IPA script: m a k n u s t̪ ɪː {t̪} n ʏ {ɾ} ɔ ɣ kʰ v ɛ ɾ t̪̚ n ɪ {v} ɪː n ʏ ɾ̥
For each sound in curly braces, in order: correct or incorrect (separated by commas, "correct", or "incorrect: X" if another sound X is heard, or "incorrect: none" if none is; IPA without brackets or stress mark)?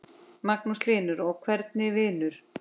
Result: incorrect: none, correct, correct